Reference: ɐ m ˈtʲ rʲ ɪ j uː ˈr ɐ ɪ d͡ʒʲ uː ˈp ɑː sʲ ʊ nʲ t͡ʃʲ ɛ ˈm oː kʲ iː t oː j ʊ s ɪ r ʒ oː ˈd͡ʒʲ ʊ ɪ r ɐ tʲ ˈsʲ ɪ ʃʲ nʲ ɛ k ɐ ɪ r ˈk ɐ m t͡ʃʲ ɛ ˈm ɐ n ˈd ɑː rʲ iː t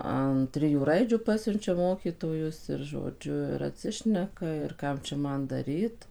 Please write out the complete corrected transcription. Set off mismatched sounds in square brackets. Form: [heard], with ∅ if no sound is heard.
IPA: ɐ [n] ˈtʲ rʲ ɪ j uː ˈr ɐ ɪ d͡ʒʲ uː ˈp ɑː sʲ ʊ nʲ t͡ʃʲ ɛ ˈm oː kʲ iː t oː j ʊ s ɪ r ʒ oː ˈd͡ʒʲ ʊ ɪ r ɐ tʲ ˈsʲ ɪ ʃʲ nʲ ɛ k ɐ ɪ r ˈk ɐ m t͡ʃʲ ɛ ˈm ɐ n ˈd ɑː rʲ iː t